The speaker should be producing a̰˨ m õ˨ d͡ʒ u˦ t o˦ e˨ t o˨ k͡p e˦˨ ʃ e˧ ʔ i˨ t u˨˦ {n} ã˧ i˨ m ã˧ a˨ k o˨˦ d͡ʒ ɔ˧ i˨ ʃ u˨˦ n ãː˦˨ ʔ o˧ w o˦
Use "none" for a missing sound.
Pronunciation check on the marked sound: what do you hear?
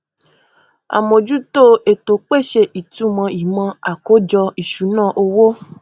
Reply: m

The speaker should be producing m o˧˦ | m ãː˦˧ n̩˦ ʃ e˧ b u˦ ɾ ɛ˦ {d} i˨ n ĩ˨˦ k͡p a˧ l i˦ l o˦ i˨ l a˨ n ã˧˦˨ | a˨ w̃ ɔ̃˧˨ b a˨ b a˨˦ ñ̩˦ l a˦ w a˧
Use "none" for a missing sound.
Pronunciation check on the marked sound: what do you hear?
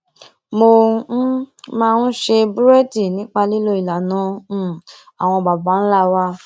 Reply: d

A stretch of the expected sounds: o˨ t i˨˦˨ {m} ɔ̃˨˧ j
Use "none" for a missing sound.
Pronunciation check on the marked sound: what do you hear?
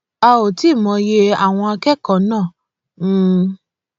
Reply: m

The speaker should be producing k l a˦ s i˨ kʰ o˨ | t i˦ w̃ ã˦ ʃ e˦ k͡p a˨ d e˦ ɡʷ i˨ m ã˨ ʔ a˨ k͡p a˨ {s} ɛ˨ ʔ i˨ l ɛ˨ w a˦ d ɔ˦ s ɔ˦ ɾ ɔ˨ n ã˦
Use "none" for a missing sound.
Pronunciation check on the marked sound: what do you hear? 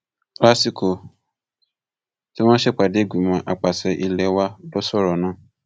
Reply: s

